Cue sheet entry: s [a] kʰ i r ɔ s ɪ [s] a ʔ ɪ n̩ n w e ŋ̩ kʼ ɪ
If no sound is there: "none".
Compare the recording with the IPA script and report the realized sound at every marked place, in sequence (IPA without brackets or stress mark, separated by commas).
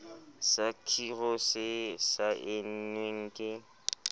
a, s